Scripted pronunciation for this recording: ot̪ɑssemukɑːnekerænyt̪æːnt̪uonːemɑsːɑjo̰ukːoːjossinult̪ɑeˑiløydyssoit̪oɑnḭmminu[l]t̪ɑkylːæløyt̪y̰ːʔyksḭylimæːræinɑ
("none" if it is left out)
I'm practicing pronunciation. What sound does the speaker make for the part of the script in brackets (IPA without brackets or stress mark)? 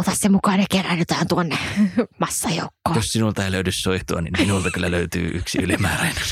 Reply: l